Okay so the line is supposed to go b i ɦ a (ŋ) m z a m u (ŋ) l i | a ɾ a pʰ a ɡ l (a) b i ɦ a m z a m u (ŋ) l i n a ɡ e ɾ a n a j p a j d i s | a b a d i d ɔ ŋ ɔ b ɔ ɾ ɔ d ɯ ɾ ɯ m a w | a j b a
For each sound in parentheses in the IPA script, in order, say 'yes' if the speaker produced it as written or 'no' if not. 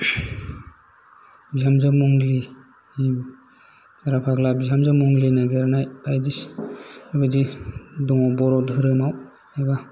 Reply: no, yes, yes, yes

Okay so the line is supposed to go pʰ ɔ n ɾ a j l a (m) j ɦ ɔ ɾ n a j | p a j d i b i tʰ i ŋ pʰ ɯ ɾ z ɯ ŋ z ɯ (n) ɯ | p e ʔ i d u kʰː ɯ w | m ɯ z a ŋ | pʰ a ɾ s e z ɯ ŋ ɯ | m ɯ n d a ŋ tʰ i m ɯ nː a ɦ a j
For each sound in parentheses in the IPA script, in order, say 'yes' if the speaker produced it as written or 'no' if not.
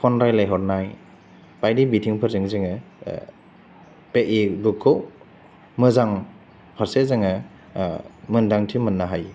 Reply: no, no

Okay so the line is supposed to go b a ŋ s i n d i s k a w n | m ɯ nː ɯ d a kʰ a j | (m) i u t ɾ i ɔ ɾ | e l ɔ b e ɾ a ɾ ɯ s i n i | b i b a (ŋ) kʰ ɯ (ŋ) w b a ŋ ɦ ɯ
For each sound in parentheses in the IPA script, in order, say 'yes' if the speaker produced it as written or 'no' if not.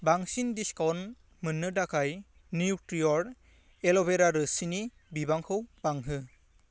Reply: no, yes, no

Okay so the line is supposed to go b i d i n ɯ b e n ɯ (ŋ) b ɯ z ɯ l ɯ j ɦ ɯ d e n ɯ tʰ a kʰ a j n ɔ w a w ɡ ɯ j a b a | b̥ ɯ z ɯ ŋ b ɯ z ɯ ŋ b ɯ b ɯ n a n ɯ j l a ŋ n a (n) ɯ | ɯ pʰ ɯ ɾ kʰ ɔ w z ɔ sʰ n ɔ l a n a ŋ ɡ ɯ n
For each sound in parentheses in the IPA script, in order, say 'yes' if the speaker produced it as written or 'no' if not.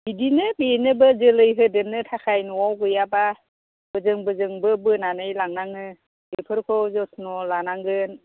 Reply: no, no

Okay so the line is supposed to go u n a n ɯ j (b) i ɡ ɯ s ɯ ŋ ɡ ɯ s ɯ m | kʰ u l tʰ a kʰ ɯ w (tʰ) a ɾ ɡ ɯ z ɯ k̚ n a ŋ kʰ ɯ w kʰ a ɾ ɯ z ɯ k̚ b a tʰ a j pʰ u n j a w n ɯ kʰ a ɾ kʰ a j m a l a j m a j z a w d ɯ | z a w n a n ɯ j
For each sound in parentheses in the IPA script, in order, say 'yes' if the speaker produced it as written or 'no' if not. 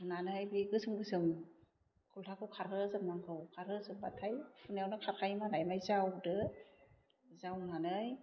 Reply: yes, no

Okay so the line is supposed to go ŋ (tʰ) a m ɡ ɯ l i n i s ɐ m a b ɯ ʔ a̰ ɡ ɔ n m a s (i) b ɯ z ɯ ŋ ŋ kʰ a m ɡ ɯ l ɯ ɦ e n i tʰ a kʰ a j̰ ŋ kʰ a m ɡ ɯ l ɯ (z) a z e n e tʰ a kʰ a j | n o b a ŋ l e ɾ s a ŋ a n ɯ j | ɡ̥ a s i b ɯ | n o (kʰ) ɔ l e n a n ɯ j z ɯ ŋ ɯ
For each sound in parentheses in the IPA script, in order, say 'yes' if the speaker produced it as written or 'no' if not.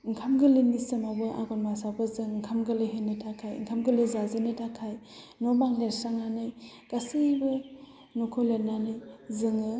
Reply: no, no, yes, yes

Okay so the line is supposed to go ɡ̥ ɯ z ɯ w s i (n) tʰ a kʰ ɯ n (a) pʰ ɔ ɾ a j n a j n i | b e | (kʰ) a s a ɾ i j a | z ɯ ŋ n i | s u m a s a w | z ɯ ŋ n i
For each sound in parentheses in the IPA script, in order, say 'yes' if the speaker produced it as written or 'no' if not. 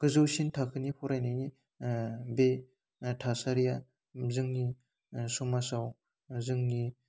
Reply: yes, no, no

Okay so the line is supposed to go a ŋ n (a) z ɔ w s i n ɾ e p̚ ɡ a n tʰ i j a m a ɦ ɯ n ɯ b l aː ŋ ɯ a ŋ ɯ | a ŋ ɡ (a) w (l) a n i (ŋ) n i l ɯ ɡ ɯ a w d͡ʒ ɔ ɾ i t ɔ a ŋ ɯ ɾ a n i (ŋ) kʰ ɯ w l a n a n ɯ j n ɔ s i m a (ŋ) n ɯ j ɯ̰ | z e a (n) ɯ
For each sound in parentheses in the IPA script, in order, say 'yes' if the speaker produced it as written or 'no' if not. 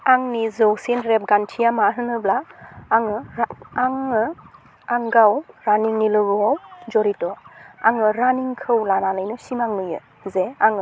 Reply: no, yes, no, yes, yes, yes, no

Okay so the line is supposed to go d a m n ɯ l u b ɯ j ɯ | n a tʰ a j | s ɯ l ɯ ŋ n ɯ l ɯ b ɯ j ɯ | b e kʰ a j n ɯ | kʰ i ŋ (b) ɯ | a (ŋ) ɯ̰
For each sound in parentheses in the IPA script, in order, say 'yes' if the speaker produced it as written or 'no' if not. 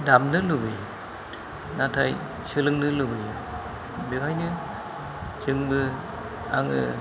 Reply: yes, yes

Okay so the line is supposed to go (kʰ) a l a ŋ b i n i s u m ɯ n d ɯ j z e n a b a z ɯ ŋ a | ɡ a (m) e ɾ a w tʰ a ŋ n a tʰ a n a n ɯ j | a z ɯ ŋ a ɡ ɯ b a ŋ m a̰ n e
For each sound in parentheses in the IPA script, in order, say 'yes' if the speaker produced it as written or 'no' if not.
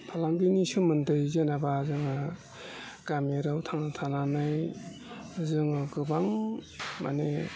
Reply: no, yes

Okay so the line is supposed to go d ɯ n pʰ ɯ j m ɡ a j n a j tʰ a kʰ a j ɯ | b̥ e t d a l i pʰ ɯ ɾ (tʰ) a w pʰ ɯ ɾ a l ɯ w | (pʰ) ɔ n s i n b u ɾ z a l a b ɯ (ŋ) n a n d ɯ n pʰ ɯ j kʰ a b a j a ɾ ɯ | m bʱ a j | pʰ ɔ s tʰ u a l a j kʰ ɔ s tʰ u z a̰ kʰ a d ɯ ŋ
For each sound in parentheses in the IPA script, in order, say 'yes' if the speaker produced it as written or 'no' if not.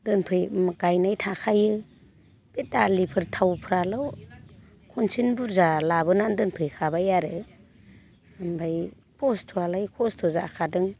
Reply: yes, no, no

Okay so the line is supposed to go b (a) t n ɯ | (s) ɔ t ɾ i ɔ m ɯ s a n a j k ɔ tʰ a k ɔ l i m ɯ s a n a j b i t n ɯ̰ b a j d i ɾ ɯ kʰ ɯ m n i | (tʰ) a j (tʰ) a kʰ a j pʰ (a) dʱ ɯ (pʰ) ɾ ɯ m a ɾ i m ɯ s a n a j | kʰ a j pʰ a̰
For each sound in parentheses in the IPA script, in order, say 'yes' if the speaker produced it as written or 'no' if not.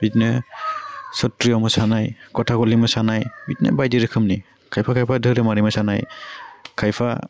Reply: no, yes, no, no, yes, no

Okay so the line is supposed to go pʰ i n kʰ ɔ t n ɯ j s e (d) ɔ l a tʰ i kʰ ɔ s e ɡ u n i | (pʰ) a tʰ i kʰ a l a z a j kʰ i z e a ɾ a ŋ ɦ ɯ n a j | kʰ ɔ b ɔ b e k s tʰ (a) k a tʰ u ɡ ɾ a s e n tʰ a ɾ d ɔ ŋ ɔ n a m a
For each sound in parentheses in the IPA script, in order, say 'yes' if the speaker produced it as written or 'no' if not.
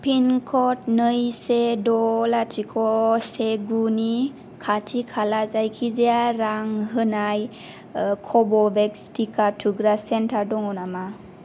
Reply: yes, no, no

